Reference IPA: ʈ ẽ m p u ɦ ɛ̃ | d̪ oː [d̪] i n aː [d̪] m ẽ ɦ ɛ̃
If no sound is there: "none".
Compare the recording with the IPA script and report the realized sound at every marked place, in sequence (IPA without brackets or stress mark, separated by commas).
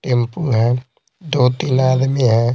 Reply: t̪, d̪